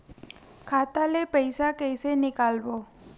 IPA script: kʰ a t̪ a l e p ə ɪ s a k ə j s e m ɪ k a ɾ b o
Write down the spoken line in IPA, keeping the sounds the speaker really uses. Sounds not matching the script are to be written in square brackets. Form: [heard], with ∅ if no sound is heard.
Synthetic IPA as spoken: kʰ a t̪ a l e p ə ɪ s a k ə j s e [n] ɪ k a [l] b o